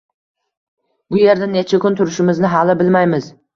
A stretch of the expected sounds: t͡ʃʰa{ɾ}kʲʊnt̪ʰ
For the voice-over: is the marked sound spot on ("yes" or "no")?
no